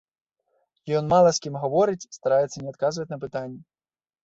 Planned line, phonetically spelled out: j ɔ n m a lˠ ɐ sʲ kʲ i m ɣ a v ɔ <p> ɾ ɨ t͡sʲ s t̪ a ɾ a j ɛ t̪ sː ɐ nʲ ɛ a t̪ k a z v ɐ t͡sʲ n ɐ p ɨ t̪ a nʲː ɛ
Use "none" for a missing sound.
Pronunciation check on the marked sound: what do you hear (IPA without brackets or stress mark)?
none